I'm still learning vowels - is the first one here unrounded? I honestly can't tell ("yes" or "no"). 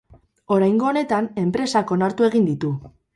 no